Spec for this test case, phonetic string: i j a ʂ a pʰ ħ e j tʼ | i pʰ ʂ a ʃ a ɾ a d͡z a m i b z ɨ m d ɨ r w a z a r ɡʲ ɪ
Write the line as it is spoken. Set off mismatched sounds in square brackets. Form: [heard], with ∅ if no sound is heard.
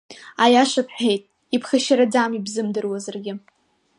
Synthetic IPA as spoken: [a] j a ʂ a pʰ ħ e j tʼ | i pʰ [χ] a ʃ a ɾ a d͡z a m i b z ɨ m d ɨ r w a z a r ɡʲ ɪ